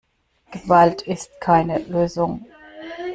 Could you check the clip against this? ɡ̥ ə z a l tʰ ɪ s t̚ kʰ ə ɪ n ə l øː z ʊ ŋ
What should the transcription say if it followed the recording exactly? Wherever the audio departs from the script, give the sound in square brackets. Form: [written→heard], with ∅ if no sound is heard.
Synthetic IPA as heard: ɡ̥ ə [z→v] a l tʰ ɪ s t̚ kʰ [ə→a] ɪ n ə l øː z ʊ ŋ

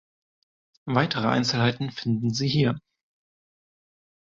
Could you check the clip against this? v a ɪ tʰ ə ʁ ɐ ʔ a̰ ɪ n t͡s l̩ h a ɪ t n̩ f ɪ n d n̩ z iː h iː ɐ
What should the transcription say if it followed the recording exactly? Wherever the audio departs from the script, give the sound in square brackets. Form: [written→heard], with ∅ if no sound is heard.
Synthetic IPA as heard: v a ɪ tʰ ə ʁ [ɐ→ə] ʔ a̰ ɪ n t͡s l̩ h a ɪ t n̩ f ɪ n d n̩ z iː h iː ɐ

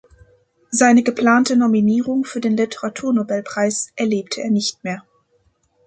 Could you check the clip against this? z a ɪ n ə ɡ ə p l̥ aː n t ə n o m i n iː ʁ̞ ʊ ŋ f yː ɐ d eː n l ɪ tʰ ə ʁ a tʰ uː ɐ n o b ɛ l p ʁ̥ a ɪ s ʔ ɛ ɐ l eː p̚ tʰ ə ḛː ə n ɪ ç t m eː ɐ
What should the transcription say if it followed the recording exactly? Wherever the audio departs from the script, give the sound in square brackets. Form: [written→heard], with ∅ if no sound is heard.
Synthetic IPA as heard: z a ɪ n ə ɡ ə p l̥ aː n t ə n o m i n iː ʁ̞ ʊ ŋ f yː ɐ d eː n l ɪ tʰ ə ʁ a tʰ uː ɐ n o b ɛ l p ʁ̥ a ɪ s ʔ ɛ ɐ l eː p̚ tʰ ə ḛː [ə→ɐ] n ɪ ç t m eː ɐ

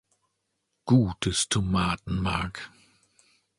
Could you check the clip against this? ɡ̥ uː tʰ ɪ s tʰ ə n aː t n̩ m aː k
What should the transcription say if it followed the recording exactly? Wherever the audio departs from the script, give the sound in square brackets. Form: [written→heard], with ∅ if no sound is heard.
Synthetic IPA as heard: ɡ̥ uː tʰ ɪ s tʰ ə [n→m] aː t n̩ m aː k

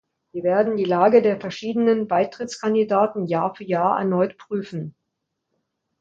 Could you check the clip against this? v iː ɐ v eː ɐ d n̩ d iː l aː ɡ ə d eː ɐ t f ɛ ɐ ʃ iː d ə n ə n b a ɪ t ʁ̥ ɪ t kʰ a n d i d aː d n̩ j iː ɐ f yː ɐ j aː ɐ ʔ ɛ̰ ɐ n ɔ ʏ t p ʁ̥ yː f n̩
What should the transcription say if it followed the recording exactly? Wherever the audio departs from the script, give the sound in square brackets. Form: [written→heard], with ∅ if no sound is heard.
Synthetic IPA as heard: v iː ɐ v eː ɐ d n̩ d iː l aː ɡ ə d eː ɐ [t→∅] f ɛ ɐ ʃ iː d ə n ə n b a ɪ t ʁ̥ ɪ [t→t͡s] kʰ a n d i d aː [d→t] n̩ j [iː→aː] ɐ f yː ɐ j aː ɐ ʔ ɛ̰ ɐ n ɔ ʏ t p ʁ̥ yː f n̩

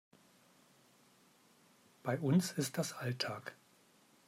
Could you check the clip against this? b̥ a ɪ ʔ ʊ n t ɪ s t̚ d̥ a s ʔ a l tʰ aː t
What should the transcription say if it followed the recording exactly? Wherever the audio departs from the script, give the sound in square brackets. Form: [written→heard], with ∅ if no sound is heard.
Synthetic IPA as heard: b̥ a ɪ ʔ ʊ n [t→s] ɪ s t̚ d̥ a s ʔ a l tʰ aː [t→k]

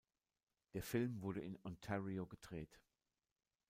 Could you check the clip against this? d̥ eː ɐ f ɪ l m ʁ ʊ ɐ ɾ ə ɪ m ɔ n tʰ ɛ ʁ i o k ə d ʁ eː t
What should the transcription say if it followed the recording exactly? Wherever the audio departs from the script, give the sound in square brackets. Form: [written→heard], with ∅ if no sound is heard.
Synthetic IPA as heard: d̥ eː ɐ f ɪ l m [ʁ→v] ʊ ɐ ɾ ə ɪ [m→n] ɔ n tʰ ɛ ʁ i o [k→ɡ] ə d ʁ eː t

